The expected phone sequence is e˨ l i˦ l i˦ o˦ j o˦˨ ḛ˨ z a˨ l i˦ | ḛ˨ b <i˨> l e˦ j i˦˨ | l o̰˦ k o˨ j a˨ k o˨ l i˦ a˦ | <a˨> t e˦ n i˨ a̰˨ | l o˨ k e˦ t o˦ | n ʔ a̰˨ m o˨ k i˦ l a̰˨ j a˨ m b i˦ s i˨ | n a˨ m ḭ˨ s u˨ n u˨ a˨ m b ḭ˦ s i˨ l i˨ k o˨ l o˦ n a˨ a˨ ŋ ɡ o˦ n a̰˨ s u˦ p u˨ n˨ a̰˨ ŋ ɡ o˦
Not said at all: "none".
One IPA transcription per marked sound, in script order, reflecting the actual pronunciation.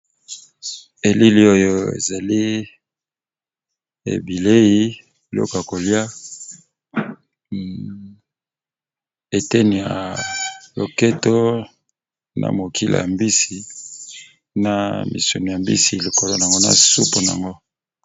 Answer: i˨, e˨

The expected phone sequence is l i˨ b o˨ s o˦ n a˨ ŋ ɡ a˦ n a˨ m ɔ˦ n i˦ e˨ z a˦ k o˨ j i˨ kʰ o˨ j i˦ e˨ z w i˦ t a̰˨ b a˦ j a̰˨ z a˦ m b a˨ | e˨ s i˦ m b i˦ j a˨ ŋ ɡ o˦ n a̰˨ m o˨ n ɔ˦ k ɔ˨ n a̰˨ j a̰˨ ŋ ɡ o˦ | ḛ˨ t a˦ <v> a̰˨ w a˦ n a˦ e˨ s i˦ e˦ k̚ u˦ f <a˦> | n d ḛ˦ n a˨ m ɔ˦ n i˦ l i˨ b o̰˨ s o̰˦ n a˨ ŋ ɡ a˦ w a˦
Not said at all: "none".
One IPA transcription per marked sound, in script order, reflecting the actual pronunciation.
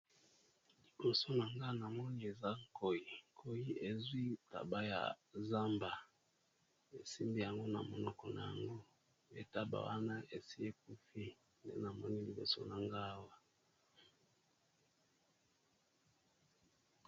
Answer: b, i˦

